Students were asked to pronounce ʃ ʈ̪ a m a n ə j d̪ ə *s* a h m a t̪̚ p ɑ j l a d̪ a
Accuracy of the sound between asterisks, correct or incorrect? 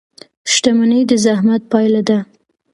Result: incorrect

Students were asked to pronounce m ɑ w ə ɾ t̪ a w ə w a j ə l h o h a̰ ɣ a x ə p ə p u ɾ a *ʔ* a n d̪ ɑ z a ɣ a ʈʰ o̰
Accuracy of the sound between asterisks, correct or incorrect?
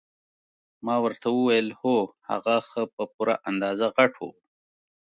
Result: correct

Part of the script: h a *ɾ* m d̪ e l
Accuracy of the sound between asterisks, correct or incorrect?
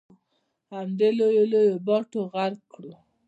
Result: incorrect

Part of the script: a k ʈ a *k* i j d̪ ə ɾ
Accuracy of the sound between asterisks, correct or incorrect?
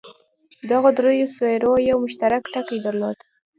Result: correct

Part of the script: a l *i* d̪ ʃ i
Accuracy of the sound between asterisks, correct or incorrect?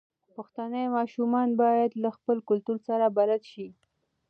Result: incorrect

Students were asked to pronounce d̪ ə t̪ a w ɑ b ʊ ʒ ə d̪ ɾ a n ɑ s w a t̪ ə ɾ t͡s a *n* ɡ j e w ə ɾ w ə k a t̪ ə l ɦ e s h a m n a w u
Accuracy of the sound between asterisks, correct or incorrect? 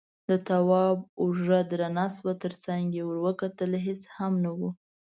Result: incorrect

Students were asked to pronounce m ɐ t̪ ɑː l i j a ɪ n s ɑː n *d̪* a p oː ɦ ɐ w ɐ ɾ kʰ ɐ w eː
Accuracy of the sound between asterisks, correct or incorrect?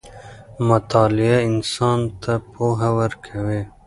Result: incorrect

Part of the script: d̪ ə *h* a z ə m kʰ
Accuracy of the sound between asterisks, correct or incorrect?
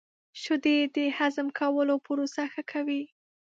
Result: correct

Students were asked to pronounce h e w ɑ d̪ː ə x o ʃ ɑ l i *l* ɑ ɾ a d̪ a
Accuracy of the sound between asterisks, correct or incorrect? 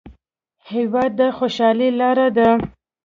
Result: correct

